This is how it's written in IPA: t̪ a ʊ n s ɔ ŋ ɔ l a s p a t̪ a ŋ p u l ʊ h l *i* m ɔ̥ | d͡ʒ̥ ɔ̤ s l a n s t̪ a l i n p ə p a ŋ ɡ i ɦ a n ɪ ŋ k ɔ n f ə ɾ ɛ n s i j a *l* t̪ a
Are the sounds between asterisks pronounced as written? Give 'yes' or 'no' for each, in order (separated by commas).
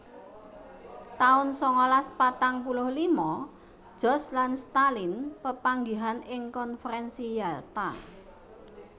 yes, yes